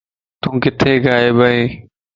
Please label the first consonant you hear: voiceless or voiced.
voiceless